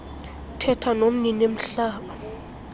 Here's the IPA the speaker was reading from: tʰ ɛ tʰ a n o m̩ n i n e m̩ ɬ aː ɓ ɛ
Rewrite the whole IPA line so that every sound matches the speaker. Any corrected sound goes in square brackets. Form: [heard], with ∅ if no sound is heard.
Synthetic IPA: tʰ ɛ tʰ a n o m̩ n i n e m̩ ɬ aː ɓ [a]